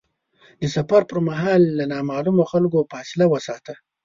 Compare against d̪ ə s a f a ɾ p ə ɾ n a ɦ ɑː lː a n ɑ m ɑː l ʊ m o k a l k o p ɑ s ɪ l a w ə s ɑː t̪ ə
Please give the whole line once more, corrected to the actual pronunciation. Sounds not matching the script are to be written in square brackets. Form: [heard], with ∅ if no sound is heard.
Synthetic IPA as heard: d̪ ə s a f a ɾ p ə ɾ [m] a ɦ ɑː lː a n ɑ m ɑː l [u] m o [x] a l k o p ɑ s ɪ l a w ə s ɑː t̪ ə